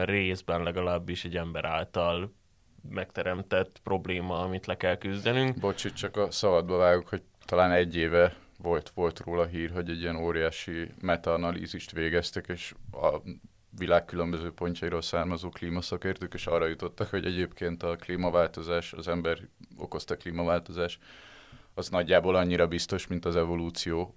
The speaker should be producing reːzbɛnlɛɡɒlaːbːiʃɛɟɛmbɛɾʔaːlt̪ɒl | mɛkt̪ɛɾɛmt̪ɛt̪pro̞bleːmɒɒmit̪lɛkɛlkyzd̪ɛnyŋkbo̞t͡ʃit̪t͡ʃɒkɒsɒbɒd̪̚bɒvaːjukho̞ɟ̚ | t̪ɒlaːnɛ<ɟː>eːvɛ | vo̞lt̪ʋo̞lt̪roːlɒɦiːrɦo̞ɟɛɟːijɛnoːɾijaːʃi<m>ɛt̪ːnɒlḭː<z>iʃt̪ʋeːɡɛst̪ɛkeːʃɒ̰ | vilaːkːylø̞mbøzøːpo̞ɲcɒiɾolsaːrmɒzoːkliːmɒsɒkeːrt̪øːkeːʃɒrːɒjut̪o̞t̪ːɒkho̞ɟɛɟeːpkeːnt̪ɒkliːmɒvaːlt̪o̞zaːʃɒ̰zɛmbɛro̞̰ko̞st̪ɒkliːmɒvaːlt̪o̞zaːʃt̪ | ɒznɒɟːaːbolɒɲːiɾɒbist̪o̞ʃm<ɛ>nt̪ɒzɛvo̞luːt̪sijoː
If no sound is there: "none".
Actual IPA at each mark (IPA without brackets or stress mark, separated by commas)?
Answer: ɟː, m, z, i